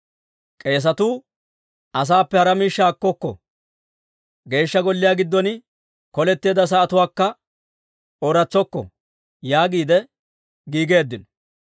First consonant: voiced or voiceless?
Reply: voiceless